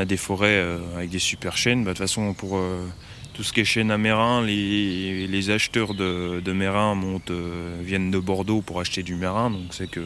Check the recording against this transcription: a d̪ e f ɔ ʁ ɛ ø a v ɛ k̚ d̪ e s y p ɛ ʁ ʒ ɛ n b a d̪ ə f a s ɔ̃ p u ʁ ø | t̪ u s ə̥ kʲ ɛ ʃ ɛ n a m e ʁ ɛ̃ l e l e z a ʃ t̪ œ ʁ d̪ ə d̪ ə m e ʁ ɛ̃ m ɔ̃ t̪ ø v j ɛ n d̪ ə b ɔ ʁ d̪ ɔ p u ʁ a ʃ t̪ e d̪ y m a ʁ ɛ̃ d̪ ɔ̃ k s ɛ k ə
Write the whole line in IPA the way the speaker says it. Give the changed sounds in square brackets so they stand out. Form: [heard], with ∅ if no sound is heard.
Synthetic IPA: a d̪ e f ɔ ʁ ɛ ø a v ɛ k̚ d̪ e s y p ɛ ʁ [ʃ] ɛ n b a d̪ ə f a s ɔ̃ p u ʁ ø | t̪ u s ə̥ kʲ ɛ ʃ ɛ n a m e ʁ ɛ̃ l e l e z a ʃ t̪ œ ʁ d̪ ə d̪ ə m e ʁ ɛ̃ m ɔ̃ t̪ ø v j ɛ n d̪ ə b ɔ ʁ d̪ [o] p u ʁ a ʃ t̪ e d̪ y m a ʁ ɛ̃ d̪ ɔ̃ k s ɛ k ə